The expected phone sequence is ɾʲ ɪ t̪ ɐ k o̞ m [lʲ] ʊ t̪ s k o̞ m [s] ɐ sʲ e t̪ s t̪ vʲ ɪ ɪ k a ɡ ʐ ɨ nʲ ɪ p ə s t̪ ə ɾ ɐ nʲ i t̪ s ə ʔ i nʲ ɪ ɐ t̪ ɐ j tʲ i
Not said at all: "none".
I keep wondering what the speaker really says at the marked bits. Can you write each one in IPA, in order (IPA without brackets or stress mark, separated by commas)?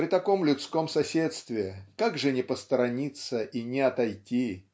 lʲ, s